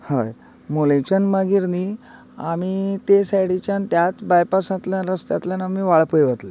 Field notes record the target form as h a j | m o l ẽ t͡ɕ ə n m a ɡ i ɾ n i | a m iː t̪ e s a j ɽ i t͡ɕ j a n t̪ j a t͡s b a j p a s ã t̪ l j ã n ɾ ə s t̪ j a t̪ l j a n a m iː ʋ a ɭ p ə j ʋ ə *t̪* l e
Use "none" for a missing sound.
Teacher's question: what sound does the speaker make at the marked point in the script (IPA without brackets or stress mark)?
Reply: t̪